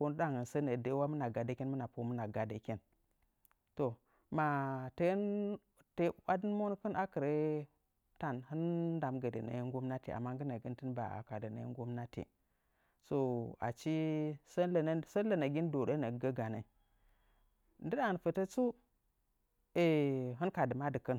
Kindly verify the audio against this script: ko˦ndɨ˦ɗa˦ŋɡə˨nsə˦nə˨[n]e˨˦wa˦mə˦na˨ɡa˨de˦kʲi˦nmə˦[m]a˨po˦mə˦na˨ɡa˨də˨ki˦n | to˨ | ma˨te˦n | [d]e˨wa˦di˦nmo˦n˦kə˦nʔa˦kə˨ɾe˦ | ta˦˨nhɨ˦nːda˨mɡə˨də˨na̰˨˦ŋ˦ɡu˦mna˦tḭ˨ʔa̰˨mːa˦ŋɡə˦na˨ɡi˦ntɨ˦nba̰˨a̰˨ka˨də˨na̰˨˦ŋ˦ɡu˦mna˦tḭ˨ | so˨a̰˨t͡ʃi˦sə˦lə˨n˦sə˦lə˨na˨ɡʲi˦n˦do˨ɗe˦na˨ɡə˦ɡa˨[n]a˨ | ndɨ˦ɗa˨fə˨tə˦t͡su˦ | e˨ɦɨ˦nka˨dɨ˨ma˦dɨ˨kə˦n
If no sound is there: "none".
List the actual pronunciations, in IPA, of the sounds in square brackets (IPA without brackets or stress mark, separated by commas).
d, n, t, n